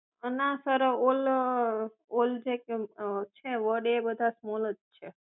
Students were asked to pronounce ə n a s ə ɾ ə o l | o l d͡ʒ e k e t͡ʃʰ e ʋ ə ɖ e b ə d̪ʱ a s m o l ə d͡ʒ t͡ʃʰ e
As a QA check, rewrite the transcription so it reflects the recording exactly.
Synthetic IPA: ə n a s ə ɾ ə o l | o l d͡ʒ e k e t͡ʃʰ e ʋ ə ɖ e b ə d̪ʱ a s m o l ə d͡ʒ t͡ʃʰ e